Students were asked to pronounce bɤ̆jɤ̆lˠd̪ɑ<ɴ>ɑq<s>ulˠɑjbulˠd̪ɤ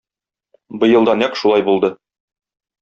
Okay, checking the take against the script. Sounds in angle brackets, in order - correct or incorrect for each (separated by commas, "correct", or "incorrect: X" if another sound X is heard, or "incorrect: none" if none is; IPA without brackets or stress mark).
incorrect: n, incorrect: ʃ